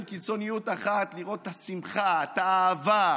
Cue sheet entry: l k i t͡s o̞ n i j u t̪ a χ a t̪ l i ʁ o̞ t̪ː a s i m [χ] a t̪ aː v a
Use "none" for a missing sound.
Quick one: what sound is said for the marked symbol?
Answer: χ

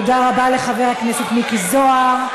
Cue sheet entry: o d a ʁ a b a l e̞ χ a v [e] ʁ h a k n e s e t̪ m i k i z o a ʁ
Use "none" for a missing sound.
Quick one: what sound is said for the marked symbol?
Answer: e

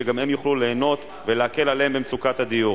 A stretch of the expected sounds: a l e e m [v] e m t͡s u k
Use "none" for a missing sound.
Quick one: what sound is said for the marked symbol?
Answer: b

